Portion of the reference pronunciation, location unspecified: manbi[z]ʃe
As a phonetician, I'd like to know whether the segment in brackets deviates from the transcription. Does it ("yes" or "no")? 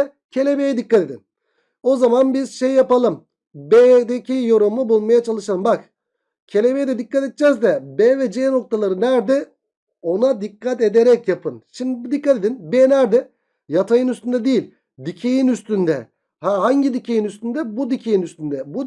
no